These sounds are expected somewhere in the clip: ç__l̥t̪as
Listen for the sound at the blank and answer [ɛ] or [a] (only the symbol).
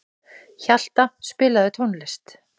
a